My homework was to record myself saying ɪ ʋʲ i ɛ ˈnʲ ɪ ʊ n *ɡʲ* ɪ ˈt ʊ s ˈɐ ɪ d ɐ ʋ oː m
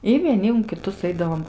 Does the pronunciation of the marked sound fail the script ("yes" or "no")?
yes